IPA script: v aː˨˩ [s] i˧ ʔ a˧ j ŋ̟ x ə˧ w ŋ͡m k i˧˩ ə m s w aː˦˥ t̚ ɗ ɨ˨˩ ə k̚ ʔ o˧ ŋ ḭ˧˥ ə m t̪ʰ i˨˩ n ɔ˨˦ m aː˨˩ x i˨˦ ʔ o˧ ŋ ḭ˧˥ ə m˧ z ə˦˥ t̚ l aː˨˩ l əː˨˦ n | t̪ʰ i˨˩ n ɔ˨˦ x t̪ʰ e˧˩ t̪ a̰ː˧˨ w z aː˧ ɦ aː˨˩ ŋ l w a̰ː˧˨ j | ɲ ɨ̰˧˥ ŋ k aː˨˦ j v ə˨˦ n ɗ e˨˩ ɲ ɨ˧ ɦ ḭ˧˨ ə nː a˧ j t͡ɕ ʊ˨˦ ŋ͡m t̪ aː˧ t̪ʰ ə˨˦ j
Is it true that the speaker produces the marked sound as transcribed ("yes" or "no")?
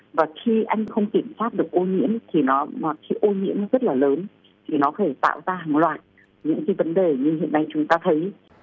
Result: no